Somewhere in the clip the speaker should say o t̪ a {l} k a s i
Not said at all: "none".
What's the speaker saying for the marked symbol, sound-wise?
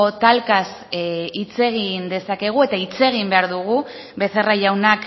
l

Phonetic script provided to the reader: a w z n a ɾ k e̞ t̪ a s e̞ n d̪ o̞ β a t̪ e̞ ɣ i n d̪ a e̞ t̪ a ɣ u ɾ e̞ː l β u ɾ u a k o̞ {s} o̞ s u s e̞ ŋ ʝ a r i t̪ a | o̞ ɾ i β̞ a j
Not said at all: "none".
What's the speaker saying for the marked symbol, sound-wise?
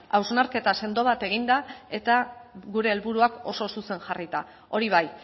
s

